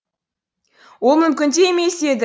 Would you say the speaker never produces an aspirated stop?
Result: yes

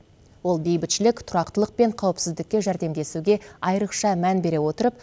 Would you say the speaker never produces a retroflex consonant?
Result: yes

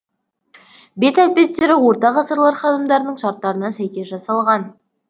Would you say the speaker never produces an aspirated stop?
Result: yes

